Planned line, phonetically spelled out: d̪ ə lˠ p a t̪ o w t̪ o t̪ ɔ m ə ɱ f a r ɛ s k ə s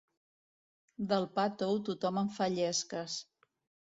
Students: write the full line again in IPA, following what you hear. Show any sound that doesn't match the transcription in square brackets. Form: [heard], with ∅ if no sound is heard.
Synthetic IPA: d̪ ə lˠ p a t̪ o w t̪ [u] t̪ ɔ m ə ɱ f a [ʎ] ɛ s k ə s